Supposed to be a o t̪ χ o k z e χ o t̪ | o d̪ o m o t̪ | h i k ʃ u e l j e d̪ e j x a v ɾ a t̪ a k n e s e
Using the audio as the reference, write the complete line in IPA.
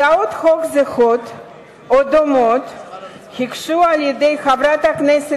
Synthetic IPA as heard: a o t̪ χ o k z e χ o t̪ | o d̪ o m o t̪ | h i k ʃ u a l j e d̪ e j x a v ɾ a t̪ a k n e s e